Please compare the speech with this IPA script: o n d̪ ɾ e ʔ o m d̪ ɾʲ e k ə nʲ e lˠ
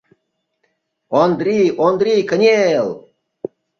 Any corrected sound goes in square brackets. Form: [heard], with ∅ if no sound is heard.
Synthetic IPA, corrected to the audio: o n d̪ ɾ [i] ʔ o [n] d̪ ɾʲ [i] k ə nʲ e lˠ